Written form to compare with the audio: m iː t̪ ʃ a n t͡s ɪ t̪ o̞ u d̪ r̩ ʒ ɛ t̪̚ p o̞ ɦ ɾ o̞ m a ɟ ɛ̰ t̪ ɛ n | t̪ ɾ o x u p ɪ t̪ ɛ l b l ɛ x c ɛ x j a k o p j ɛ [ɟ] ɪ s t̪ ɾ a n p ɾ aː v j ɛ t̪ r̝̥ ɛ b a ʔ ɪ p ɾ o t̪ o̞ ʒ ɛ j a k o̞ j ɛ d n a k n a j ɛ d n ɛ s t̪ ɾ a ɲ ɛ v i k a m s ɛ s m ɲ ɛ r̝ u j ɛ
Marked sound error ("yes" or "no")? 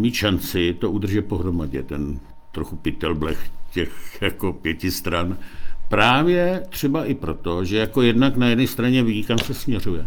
yes